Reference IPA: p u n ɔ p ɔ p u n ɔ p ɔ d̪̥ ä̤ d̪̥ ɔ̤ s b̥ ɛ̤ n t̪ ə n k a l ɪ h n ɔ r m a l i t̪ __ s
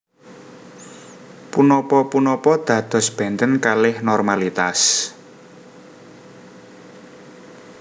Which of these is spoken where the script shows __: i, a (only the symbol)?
a